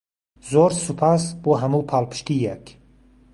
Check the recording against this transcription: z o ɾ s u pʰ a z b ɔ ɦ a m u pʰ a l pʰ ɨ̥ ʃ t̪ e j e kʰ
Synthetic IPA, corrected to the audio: z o ɾ s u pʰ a s b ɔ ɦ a m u pʰ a l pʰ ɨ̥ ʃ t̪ i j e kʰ